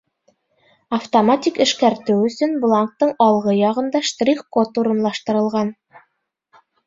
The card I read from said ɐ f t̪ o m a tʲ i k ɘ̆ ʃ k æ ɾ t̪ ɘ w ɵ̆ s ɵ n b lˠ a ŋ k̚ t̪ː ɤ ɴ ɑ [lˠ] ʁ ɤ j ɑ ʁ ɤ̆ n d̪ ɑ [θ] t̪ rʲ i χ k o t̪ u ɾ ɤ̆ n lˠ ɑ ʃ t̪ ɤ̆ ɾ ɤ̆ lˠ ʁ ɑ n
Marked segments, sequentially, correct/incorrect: correct, incorrect: ʃ

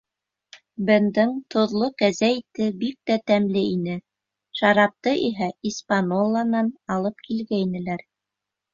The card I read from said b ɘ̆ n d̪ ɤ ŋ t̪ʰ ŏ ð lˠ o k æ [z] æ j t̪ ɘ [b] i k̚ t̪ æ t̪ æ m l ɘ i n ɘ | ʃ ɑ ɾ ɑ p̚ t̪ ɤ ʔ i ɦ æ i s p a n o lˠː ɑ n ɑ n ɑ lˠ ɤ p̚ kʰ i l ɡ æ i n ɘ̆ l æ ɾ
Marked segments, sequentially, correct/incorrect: correct, correct

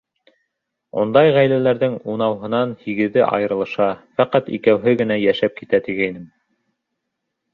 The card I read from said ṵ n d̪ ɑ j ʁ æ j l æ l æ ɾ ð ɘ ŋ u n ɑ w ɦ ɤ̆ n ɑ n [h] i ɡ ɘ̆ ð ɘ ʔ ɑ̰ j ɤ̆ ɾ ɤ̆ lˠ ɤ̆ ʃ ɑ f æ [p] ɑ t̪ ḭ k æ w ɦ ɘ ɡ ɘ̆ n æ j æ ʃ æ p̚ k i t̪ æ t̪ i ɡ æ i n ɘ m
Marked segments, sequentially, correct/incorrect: correct, incorrect: q

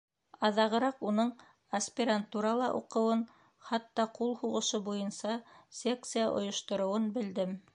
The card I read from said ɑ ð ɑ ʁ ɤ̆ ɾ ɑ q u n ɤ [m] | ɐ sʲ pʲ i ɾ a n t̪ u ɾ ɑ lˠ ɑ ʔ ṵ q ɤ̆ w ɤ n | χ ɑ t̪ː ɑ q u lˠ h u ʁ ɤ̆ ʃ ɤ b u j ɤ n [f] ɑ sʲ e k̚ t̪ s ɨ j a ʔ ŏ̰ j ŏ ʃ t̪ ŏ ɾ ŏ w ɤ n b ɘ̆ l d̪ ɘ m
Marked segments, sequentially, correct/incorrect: incorrect: ɴ, incorrect: s

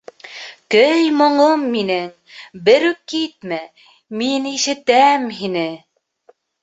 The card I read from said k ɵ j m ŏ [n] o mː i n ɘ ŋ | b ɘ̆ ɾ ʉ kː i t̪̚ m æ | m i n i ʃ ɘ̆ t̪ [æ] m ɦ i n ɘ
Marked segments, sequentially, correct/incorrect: incorrect: ɴ, correct

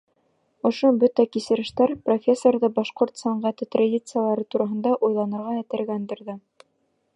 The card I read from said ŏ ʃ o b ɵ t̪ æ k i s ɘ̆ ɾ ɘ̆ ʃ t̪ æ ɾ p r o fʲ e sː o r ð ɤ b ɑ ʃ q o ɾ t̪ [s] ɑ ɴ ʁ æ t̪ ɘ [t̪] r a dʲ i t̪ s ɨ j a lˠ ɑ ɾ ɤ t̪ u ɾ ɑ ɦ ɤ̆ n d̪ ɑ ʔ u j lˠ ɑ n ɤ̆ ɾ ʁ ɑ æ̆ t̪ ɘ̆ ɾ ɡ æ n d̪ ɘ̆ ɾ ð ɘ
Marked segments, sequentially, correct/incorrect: correct, correct

